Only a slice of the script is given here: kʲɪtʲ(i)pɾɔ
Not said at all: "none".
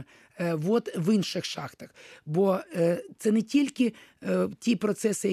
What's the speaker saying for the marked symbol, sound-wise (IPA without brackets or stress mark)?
i